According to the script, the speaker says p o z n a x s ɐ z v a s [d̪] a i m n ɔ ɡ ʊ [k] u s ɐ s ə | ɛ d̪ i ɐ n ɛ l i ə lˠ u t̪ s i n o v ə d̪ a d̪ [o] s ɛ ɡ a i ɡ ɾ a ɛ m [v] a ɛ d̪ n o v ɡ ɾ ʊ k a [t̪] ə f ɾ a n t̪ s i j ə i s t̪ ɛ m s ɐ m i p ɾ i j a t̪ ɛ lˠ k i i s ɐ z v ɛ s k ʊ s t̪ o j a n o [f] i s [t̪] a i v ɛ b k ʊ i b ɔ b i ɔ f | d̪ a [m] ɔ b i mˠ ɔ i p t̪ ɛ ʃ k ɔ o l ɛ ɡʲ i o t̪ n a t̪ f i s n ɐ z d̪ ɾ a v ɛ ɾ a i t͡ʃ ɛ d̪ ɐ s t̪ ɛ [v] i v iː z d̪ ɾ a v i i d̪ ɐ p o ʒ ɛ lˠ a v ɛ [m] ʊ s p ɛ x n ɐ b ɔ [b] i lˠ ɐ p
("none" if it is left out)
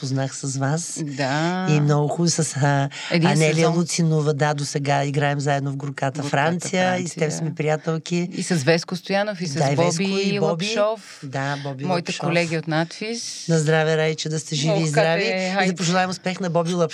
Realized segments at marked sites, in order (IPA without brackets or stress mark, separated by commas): d̪, x, o, z, t̪, f, d̪, b, ʒ, m, b